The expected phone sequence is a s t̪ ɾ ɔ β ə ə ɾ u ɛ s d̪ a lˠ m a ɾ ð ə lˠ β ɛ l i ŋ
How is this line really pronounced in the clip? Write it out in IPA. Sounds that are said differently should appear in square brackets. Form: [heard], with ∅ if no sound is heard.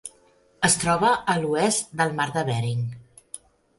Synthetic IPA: [ə] s t̪ ɾ ɔ β ə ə [l] u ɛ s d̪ [ə] lˠ m a ɾ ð ə [∅] β ɛ [ɾ] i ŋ